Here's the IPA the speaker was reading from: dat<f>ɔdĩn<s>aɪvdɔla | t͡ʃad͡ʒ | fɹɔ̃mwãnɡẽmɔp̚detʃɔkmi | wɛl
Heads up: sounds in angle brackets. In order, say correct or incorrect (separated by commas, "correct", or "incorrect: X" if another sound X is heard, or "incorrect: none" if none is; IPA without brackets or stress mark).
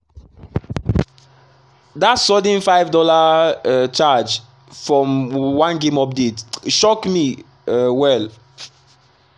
incorrect: s, incorrect: f